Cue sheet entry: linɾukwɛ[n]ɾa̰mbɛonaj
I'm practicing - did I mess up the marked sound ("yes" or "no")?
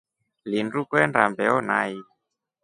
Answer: no